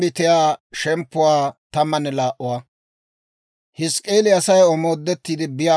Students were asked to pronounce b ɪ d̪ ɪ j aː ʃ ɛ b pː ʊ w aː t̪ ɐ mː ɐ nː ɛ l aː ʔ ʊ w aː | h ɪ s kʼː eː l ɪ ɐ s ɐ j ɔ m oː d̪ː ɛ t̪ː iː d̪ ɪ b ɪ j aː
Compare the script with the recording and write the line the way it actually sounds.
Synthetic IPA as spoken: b ɪ t̪ ɪ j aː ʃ ɛ m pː ʊ w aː t̪ ɐ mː ɐ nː ɛ l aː ʔ ʊ w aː | h ɪ s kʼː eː l ɪ ɐ s ɐ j ɔ m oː d̪ː ɛ t̪ː iː d̪ ɪ b ɪ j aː